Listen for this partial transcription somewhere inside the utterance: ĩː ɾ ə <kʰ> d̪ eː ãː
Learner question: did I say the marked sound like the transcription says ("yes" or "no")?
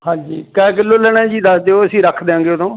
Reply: yes